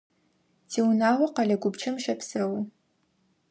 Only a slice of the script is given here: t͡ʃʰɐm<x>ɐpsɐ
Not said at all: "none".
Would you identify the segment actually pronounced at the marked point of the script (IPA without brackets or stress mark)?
ʃ